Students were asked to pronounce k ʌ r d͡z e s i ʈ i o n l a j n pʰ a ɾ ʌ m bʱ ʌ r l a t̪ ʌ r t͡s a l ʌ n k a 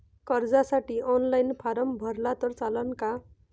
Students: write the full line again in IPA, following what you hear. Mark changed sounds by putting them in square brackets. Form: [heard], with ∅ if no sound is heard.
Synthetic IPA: k ʌ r d͡z [a] s [a] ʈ i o n l a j n pʰ a ɾ ʌ m bʱ ʌ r l a t̪ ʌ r t͡s a l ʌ n k a